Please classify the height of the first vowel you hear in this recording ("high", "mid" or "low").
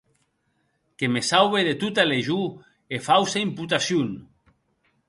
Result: mid